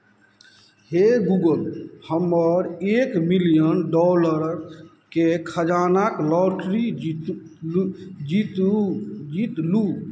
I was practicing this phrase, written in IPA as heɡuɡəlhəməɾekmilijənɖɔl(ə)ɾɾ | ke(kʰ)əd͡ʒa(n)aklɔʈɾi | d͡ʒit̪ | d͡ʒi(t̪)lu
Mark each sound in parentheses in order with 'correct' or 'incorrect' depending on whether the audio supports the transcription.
correct, correct, correct, correct

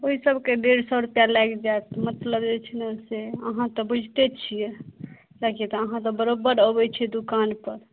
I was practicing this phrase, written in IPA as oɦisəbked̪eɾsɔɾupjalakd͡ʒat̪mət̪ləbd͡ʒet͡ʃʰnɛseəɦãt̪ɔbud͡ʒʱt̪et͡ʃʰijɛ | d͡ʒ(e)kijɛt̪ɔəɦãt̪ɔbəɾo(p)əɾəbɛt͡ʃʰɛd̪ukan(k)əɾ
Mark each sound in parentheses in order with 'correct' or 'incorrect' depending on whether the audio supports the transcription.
incorrect: a, incorrect: b, incorrect: p

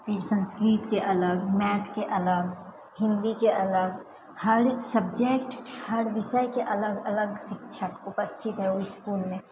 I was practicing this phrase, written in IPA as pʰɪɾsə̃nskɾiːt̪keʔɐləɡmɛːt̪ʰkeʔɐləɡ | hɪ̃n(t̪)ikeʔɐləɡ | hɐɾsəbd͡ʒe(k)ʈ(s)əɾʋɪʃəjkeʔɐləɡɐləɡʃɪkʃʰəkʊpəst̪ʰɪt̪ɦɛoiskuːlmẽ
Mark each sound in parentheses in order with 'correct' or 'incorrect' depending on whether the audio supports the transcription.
incorrect: d̪, correct, incorrect: h

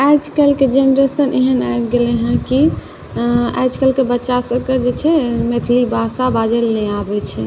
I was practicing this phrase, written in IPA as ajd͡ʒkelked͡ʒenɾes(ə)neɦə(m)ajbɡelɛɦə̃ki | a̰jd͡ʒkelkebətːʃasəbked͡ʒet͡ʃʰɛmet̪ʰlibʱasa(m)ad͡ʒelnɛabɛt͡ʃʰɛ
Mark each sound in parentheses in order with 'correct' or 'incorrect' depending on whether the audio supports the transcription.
correct, incorrect: n, incorrect: b

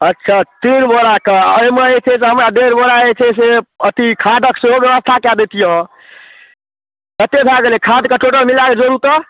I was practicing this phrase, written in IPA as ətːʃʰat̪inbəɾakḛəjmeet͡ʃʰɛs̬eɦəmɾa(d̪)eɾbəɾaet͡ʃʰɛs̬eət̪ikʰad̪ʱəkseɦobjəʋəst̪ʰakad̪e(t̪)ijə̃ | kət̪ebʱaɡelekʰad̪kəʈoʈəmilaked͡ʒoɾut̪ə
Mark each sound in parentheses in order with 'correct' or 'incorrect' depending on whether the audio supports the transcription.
correct, correct

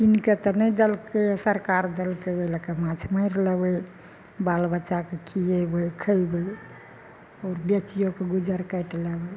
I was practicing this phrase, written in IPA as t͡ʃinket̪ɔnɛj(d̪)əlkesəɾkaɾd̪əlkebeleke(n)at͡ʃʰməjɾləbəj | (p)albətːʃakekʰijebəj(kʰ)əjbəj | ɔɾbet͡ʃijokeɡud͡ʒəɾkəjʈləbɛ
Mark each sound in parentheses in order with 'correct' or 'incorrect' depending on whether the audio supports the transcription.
correct, incorrect: m, incorrect: b, correct

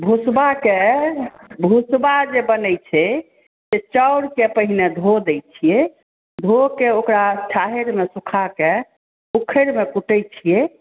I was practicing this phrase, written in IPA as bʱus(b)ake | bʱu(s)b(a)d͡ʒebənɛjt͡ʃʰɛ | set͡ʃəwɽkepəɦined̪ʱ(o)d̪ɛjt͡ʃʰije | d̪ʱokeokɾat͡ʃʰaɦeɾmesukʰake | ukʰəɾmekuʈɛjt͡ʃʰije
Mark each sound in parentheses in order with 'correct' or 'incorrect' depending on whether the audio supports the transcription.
correct, correct, correct, correct

